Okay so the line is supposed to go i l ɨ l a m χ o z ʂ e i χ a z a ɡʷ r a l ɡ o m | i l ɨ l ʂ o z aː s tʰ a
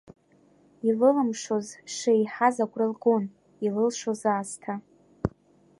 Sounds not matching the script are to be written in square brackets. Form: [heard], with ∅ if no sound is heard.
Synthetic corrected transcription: i l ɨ l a m [ʂ] o z ʂ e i [ħ] a z a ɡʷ r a l ɡ o [n] | i l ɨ l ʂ o z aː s tʰ a